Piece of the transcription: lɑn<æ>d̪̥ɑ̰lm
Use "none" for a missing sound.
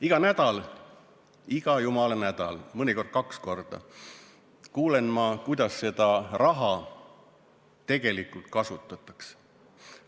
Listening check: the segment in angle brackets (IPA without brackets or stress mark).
æ